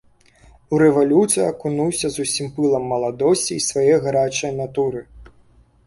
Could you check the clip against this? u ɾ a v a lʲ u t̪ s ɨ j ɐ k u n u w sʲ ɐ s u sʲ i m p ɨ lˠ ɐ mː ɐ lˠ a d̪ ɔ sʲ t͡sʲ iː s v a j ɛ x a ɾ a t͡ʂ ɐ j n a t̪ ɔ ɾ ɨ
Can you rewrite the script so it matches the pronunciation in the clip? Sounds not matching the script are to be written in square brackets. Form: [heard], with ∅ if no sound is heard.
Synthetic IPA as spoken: u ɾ [ɛ] v a lʲ u t̪ s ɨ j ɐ k u n u w sʲ ɐ [z] u sʲ i m p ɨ lˠ ɐ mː ɐ lˠ a d̪ ɔ sʲ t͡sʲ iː s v a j ɛ [ɣ] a ɾ a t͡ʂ ɐ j n a t̪ [u] ɾ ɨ